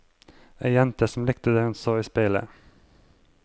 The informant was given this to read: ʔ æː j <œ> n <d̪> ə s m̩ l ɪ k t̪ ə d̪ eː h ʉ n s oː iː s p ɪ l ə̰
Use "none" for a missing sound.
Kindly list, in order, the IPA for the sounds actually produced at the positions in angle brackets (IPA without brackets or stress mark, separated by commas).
ɛ, t̪